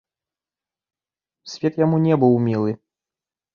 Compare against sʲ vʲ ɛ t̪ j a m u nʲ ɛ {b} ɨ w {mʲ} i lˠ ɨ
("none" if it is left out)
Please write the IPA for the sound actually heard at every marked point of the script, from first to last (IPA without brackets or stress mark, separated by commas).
b, mʲ